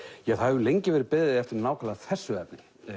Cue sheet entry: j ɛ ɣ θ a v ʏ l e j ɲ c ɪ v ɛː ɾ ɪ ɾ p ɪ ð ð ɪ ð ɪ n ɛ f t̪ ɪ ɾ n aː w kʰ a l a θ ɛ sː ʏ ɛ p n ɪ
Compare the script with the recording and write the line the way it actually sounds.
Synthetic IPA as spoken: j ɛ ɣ θ a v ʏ l e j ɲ c ɪ v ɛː ɾ ɪ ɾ p ɪ ð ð ɪ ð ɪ ɛ f t̪ ɪ ɾ n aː w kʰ a l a θ ɛ sː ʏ ɛ p n ɪ